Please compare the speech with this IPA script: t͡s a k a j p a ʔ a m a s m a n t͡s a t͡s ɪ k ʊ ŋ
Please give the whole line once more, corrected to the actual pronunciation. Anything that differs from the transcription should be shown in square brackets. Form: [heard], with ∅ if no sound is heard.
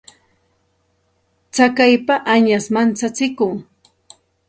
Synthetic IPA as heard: t͡s a k a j p a ʔ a [ɲ] a s m a n t͡s a t͡s ɪ k ʊ ŋ